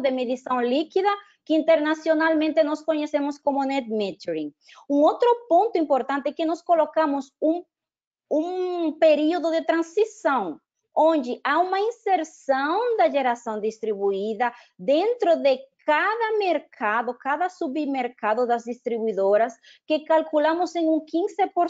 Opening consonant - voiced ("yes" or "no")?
yes